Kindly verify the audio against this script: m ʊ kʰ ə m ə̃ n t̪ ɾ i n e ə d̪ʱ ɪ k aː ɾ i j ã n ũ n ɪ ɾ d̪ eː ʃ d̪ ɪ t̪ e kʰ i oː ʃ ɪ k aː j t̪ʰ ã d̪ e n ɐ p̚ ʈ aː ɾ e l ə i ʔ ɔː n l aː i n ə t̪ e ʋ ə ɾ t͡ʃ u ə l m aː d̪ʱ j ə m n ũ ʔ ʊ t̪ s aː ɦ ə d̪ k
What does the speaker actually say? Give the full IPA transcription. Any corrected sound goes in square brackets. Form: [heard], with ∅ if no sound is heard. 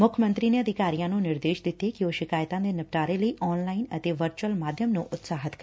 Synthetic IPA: m ʊ kʰ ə m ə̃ n t̪ ɾ i n e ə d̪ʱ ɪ k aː ɾ i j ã n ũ n ɪ ɾ d̪ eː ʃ d̪ ɪ t̪ e [k] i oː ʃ ɪ k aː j [t̪] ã d̪ e n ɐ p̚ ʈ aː ɾ e l ə i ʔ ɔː n l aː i n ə t̪ e ʋ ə ɾ t͡ʃ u ə l m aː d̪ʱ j ə m n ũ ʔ ʊ t̪ s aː ɦ ə [t̪] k